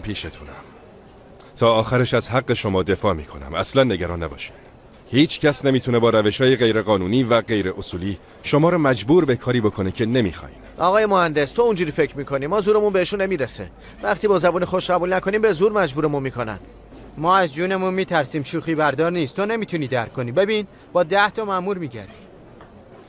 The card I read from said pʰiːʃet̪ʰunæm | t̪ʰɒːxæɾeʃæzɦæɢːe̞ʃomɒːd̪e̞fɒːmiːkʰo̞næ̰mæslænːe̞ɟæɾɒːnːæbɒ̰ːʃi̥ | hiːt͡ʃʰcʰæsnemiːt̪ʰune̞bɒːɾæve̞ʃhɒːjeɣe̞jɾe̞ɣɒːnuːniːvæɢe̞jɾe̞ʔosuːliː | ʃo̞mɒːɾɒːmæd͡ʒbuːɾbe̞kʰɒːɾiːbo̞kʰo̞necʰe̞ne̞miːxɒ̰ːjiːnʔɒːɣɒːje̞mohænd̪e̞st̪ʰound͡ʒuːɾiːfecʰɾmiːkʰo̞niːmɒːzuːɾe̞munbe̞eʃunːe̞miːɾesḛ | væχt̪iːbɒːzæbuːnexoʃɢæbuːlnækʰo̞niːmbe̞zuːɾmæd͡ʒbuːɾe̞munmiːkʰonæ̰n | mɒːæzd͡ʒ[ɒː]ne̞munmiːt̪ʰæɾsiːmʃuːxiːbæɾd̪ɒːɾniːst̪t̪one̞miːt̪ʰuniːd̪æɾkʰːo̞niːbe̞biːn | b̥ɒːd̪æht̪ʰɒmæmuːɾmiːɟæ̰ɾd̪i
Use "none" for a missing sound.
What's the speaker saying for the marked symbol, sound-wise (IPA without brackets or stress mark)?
uː